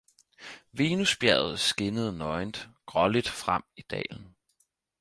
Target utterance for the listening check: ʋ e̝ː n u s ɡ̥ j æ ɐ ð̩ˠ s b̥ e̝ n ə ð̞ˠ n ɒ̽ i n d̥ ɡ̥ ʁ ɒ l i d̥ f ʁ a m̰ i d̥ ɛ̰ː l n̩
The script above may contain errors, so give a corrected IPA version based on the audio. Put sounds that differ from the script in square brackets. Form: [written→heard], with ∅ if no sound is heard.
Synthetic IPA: ʋ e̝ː n u s [ɡ̥→b̥] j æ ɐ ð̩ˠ s [b̥→ɡ̥] e̝ n ə ð̞ˠ n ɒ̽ [i→ɪ] n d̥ ɡ̥ ʁ ɒ l i d̥ f ʁ a m̰ i d̥ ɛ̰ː l n̩

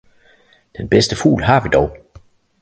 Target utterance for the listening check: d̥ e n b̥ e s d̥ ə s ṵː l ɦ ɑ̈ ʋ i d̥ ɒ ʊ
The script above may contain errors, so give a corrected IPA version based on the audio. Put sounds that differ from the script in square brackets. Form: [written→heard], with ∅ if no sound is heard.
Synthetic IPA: d̥ e n b̥ e s d̥ ə [s→f] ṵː l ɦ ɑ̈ ʋ i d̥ ɒ ʊ

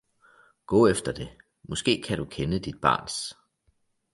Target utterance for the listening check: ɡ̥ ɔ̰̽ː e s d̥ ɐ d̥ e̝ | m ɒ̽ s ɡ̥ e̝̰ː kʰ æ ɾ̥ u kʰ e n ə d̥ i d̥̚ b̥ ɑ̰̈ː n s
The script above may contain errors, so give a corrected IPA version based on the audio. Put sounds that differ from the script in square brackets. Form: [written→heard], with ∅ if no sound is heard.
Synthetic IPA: ɡ̥ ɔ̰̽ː e [s→f] d̥ ɐ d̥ e̝ | m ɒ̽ s ɡ̥ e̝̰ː kʰ æ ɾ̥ u kʰ e n ə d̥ i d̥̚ b̥ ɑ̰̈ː n s

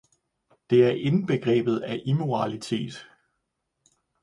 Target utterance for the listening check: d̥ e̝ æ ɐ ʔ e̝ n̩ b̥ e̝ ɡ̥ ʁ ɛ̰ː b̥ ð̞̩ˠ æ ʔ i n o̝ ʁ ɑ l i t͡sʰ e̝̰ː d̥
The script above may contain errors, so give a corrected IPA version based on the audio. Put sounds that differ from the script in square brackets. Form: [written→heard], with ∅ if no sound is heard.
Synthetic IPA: d̥ e̝ æ ɐ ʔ e̝ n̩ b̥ e̝ ɡ̥ ʁ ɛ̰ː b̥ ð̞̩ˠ æ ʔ i [n→m] o̝ ʁ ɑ l i t͡sʰ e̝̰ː d̥

